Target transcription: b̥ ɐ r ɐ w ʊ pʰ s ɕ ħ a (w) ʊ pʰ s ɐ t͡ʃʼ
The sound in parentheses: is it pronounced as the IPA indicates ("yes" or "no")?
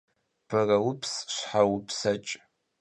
yes